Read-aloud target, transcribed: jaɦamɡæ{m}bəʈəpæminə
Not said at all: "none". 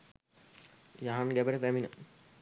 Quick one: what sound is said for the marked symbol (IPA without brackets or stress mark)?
none